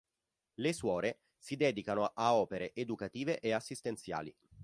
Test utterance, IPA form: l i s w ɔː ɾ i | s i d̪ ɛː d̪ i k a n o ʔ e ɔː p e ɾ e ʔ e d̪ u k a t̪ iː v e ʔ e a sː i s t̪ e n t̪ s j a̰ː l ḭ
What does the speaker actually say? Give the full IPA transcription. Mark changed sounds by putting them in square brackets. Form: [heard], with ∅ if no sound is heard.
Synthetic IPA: l [e] s w ɔː ɾ [e] | s i d̪ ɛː d̪ i k a n o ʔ [a] ɔː p e ɾ e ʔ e d̪ u k a t̪ iː v e ʔ e a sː i s t̪ e n t̪ s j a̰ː l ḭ